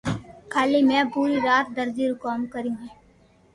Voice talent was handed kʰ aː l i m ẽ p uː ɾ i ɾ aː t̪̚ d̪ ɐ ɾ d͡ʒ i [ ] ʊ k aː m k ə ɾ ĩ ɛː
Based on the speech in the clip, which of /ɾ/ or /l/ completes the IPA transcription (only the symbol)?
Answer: ɾ